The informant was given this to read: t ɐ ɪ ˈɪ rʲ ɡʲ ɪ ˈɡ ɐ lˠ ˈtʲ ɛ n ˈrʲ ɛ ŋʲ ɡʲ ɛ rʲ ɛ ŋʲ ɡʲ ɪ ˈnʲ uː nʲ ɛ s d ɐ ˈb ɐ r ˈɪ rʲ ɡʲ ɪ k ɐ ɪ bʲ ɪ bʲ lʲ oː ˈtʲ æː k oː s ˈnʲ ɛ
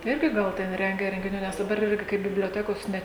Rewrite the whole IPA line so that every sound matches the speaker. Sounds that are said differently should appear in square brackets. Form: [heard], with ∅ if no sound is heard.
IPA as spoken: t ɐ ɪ ˈɪ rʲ ɡʲ ɪ ˈɡ ɐ lˠ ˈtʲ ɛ n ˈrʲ ɛ ŋʲ ɡʲ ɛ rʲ ɛ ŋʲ ɡʲ ɪ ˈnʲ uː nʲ ɛ s d ɐ ˈb ɐ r ˈɪ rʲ ɡʲ ɪ k ɐ ɪ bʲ ɪ bʲ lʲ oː ˈtʲ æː k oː s ˈnʲ ɛ